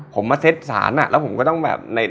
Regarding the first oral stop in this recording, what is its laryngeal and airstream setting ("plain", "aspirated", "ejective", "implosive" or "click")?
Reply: aspirated